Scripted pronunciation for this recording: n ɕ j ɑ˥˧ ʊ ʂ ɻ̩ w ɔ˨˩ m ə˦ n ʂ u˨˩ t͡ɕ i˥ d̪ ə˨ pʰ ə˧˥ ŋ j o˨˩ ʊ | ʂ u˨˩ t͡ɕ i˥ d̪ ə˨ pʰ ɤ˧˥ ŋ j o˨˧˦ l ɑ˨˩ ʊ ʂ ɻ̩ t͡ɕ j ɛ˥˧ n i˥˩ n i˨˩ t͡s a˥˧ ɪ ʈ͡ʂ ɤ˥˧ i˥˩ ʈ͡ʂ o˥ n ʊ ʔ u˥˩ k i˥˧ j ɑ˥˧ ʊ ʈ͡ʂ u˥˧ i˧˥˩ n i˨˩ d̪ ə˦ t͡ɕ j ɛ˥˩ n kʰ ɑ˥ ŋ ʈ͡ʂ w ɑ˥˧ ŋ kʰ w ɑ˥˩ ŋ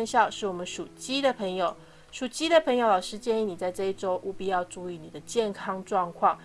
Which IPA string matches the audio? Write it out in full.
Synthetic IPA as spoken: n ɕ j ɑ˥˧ ʊ ʂ ɻ̩ w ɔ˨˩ m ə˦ n ʂ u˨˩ t͡ɕ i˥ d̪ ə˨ pʰ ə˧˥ ŋ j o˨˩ ʊ | ʂ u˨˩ t͡ɕ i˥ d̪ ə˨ pʰ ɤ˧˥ ŋ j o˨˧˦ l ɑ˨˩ ʊ ʂ ɻ̩ t͡ɕ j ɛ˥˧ n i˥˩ n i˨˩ t͡s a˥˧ ɪ ʈ͡ʂ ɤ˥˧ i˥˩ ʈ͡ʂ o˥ ʊ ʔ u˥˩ p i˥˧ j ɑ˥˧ ʊ ʈ͡ʂ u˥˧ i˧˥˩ n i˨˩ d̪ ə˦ t͡ɕ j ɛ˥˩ n kʰ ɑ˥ ŋ ʈ͡ʂ w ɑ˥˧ ŋ kʰ w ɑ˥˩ ŋ